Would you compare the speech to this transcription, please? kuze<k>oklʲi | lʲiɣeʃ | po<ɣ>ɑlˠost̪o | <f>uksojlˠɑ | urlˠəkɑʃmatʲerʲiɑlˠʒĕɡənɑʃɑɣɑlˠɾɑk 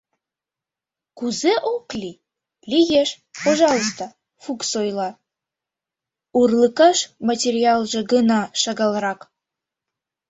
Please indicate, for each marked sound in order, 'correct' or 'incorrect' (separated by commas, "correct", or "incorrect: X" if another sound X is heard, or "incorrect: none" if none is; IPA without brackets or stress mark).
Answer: incorrect: ʔ, incorrect: ʒ, correct